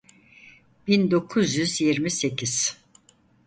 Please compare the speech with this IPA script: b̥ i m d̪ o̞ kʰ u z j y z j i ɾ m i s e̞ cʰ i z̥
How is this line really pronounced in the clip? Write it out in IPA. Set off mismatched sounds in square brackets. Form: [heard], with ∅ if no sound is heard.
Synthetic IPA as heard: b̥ i [n] d̪ o̞ kʰ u z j y z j i ɾ m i s e̞ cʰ i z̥